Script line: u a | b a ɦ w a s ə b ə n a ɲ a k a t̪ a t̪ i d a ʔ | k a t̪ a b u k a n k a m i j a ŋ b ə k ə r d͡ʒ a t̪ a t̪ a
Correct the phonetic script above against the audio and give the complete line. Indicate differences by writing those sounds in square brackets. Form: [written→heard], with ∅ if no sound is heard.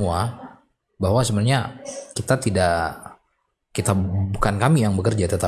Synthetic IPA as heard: u a | b a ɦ w a s ə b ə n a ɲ a k [a→i] t̪ a t̪ i d a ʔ | k [a→i] t̪ a b u k a n k a m i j a ŋ b ə k ə r d͡ʒ a t̪ [a→ə] t̪ a